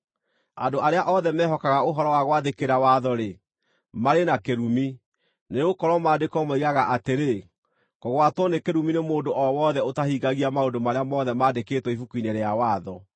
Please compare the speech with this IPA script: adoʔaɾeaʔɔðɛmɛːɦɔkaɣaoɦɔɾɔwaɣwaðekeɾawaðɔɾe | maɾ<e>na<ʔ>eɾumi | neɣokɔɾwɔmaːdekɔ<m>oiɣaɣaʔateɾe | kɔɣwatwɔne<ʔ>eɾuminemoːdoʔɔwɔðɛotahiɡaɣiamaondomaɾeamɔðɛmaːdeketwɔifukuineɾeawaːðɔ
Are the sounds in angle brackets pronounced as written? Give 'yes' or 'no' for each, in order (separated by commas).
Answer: yes, no, yes, no